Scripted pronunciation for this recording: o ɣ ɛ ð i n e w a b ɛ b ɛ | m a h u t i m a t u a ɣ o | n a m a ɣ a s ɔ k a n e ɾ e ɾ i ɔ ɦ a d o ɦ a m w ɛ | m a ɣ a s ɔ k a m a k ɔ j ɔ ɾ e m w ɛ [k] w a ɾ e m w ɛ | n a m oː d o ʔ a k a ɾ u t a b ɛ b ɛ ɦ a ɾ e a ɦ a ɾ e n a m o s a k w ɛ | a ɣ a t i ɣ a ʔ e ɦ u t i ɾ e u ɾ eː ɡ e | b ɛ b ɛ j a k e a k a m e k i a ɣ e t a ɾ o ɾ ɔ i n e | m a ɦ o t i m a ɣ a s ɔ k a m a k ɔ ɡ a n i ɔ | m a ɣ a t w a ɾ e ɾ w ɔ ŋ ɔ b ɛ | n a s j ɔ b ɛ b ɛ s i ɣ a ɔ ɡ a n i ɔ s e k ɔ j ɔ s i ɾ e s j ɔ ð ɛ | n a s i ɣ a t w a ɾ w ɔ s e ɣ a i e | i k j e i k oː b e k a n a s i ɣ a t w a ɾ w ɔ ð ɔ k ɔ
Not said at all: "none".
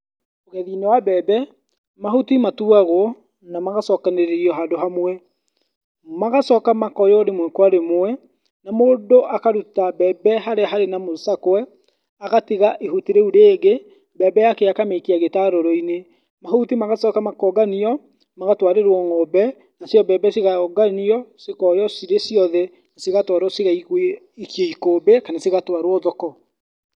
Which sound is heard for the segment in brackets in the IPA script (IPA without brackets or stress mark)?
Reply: k